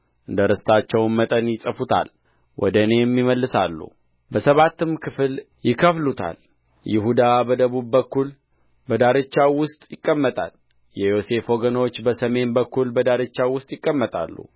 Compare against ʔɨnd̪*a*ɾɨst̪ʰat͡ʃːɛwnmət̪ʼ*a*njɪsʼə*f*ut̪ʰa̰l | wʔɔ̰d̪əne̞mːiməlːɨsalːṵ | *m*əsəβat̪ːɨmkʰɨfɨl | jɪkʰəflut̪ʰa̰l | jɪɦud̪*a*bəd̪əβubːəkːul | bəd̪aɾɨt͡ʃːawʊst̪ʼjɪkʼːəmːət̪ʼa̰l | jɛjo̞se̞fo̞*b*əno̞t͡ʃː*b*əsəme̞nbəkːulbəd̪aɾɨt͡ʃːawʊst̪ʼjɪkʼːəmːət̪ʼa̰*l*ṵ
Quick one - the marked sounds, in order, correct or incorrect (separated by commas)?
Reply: incorrect, incorrect, correct, incorrect, correct, incorrect, correct, incorrect